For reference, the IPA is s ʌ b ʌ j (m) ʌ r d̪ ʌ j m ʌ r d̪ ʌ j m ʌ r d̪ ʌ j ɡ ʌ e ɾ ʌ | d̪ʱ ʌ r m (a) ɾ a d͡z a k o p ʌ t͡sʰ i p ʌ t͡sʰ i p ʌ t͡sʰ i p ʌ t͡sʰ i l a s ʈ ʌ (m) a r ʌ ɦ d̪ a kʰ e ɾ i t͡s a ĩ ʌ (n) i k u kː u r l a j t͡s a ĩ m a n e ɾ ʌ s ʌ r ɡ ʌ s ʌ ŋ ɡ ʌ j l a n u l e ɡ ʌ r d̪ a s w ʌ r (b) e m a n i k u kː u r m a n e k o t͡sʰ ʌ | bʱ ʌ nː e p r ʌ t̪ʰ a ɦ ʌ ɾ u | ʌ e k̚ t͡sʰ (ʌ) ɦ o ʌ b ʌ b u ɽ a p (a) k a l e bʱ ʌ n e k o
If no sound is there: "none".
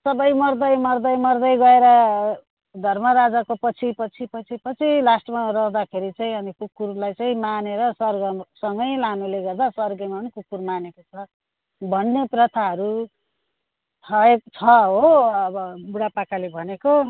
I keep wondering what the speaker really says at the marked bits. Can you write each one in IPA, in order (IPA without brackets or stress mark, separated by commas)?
m, ʌ, m, n, ɡ, ʌ, a